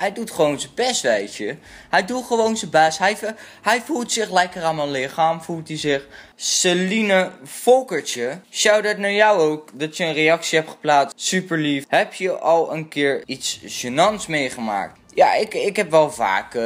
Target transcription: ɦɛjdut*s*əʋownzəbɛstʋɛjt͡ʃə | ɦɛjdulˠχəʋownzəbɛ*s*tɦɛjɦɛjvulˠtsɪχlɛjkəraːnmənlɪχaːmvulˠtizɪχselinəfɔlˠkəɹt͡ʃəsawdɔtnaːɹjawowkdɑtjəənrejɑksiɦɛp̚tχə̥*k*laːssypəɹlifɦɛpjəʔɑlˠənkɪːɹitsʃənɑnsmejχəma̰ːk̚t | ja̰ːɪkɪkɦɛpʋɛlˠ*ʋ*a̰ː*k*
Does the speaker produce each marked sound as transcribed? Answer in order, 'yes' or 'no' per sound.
no, yes, no, no, yes

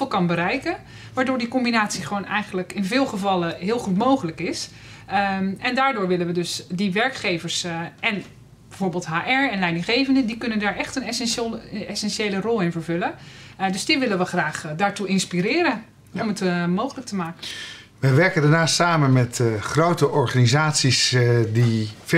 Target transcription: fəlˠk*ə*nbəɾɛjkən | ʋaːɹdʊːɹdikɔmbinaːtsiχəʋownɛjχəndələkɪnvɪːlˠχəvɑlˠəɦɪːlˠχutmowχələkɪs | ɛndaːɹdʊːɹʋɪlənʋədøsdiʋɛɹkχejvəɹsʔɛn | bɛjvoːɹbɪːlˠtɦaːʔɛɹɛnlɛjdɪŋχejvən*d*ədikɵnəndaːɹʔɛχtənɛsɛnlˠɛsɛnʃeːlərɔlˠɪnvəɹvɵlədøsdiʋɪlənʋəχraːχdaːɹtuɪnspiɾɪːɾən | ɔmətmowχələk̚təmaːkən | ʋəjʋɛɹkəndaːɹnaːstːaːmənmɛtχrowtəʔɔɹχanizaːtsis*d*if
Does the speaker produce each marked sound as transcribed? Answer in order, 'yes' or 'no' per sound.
no, yes, yes

